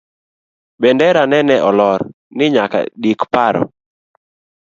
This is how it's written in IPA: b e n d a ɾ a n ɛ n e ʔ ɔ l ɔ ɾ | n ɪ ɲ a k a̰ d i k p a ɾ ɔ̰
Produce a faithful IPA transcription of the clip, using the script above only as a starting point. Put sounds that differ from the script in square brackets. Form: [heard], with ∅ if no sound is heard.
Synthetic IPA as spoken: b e n d [ɛ] ɾ a n ɛ n [ɛ] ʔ ɔ l ɔ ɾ | n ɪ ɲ a k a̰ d i k p a ɾ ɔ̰